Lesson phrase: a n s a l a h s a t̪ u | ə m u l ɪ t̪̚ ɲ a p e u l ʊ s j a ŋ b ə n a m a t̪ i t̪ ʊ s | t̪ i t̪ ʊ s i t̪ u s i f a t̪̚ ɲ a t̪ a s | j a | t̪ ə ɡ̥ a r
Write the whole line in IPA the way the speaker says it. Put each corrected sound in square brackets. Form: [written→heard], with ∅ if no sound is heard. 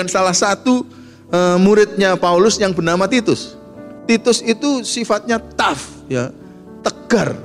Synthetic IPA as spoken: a n s a l a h s a t̪ u | ə m u [l→ɾ] ɪ t̪̚ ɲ a p [e→a] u l ʊ s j a ŋ b ə n a m a t̪ i t̪ ʊ s | t̪ i t̪ ʊ s i t̪ u s i f a t̪̚ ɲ a t̪ a [s→f] | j a | t̪ ə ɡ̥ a r